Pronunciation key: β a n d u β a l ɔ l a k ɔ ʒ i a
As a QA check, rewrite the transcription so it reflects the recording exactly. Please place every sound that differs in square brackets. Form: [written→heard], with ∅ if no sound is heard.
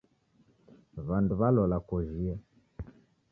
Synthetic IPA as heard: β a n d u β a l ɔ l a k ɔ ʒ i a